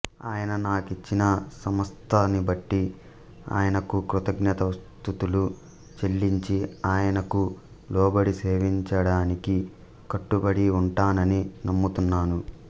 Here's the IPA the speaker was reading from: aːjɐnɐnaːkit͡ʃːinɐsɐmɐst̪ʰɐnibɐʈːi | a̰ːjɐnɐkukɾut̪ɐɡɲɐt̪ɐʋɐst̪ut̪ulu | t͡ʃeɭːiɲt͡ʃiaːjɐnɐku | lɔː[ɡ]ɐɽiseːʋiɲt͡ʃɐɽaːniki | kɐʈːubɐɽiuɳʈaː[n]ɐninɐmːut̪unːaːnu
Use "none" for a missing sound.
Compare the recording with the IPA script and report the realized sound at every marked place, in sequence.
b, n

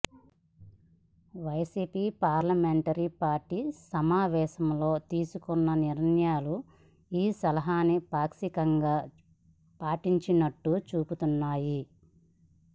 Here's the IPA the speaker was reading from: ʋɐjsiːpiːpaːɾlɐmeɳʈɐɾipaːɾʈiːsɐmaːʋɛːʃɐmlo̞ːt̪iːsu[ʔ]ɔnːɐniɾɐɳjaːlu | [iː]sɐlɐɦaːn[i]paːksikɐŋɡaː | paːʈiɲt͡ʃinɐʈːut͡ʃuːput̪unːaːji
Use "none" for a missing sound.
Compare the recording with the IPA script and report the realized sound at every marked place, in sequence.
k, iː, i

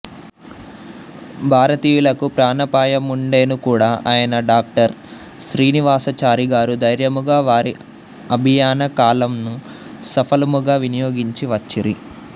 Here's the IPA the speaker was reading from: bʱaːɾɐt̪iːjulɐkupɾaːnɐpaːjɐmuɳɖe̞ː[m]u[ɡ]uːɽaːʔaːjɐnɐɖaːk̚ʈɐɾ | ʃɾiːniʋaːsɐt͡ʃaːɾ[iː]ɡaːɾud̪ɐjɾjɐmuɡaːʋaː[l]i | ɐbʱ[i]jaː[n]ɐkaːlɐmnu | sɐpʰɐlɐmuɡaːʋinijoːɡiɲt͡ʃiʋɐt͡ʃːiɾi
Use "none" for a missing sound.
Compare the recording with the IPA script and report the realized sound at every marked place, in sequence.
n, k, i, ɾ, i, n

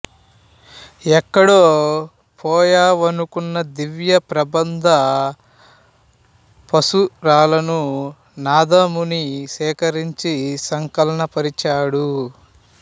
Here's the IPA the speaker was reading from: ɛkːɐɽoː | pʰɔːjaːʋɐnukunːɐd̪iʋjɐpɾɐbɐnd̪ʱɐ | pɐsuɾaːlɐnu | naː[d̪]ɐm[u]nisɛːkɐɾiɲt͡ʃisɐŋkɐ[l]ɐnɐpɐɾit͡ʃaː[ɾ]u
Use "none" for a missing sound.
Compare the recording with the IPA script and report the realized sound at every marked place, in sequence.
d̪, u, l, ɽ

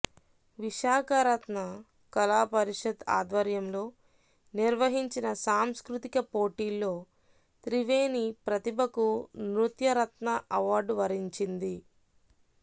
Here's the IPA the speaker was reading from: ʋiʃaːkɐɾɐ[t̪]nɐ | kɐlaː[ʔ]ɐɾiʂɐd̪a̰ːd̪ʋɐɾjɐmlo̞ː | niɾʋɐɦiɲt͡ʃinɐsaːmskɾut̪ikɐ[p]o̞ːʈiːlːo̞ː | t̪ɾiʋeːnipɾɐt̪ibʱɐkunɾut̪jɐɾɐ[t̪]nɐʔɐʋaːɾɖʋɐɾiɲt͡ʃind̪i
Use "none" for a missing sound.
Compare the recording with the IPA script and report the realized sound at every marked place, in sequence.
t̪, p, p, t̪

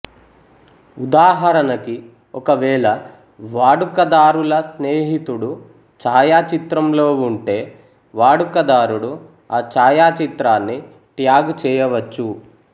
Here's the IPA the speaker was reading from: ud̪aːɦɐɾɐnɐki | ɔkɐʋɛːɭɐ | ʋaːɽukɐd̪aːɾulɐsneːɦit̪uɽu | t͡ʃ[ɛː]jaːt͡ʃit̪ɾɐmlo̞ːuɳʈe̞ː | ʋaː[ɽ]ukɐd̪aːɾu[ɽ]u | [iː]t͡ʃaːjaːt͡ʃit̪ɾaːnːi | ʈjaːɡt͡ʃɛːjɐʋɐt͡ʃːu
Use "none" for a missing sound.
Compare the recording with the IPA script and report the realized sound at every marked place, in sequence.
aː, ɽ, ɽ, aː

